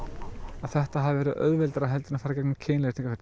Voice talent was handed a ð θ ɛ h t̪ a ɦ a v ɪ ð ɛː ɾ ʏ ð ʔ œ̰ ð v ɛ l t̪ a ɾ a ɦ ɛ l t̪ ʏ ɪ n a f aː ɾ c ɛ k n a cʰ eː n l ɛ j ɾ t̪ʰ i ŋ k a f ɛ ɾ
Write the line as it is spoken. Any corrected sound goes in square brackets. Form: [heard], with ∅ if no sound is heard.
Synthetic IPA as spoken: a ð θ ɛ h t̪ a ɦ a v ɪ [v] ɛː ɾ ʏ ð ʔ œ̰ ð v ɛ l t̪ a ɾ a ɦ ɛ l t̪ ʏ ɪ n a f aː ɾ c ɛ k n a cʰ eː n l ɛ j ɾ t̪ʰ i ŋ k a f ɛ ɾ